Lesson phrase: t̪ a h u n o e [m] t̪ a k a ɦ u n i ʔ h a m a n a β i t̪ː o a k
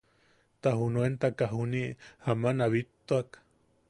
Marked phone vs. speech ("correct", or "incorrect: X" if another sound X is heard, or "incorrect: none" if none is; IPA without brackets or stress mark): incorrect: n